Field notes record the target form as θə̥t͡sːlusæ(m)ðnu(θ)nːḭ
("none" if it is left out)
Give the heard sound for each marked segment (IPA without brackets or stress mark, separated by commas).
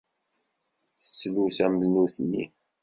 m, θ